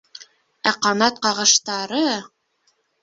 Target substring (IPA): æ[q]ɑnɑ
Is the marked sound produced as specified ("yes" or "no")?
yes